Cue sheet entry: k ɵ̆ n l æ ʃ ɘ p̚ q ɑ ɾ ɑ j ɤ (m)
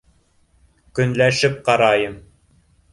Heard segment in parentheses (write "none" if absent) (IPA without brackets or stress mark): m